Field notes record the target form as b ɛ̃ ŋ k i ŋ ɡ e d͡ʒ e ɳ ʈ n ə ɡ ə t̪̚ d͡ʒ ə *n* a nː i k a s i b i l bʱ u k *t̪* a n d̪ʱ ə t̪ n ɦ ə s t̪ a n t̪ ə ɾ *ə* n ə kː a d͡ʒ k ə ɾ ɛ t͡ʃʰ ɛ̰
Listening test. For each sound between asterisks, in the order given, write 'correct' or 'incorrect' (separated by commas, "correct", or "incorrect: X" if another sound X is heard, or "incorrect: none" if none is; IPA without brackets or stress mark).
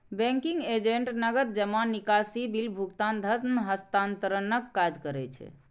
incorrect: m, correct, correct